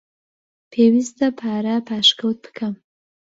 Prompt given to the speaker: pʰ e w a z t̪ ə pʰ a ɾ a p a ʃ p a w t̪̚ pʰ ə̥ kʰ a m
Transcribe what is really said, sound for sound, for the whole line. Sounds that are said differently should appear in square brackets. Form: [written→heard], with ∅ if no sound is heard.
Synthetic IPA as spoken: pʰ e w [a→i] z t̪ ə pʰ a ɾ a p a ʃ [p→k] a w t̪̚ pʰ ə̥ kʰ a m